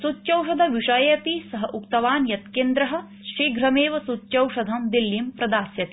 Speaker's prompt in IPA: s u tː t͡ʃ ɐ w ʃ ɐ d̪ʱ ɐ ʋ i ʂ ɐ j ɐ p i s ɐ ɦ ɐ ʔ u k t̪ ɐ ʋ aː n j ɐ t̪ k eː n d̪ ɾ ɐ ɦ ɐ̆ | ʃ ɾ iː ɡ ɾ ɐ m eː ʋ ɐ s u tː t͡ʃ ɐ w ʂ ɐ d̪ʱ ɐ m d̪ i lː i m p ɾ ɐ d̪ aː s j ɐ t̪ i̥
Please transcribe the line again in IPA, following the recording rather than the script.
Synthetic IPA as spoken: s u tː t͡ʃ ɐ w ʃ ɐ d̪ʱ ɐ ʋ i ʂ ɐ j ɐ p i s ɐ ɦ ɐ ʔ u k t̪ ɐ ʋ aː n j ɐ t̪ k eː n d̪ ɾ ɐ ɦ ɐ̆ | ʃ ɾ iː ɡ ɾ ɐ m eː ʋ ɐ s u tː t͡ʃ ɐ w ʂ ɐ d̪ʱ ɐ m d̪ i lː i m p ɾ ɐ d̪ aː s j ɐ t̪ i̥